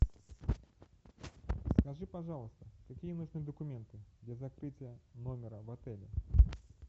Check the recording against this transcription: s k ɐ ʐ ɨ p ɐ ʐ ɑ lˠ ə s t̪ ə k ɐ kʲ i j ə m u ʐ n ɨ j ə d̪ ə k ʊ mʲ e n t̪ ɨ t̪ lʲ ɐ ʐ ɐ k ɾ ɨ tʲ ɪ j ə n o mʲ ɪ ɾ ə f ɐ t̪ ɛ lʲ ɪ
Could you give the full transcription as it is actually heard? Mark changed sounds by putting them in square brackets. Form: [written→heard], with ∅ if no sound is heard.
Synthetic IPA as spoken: s k ɐ ʐ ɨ p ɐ ʐ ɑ lˠ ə s t̪ ə k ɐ kʲ i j ə [m→n] u ʐ n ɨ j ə d̪ ə k ʊ mʲ e n t̪ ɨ [t̪→d̪] lʲ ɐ [ʐ→z] ɐ k ɾ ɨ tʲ ɪ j ə n o mʲ ɪ ɾ ə [f→v] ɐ t̪ ɛ lʲ ɪ